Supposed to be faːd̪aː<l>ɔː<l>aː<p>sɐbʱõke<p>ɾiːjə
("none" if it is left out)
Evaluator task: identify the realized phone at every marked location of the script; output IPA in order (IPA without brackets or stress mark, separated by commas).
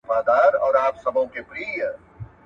ɾ, ɾ, p, p